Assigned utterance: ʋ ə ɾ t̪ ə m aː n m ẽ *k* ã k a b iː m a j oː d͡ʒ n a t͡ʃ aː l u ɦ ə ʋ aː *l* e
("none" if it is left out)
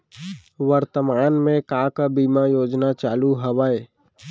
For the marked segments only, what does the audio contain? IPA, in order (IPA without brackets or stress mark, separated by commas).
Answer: k, none